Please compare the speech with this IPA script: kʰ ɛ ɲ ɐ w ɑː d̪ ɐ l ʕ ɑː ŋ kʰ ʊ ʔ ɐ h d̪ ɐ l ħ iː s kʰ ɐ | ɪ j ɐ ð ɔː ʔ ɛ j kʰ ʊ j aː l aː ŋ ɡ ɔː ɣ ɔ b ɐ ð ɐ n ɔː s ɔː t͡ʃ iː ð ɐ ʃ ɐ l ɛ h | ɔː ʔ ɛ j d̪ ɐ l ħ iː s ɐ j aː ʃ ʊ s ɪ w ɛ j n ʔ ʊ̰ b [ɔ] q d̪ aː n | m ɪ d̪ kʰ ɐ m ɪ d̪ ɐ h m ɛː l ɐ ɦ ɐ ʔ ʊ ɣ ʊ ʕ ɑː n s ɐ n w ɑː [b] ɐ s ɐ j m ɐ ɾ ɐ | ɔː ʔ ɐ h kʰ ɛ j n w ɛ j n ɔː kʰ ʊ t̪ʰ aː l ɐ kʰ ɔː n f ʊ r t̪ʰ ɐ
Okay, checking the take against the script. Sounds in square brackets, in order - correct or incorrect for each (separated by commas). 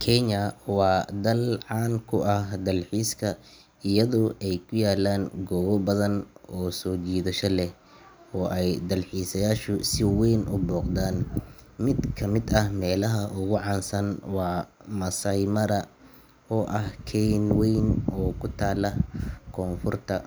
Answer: incorrect, incorrect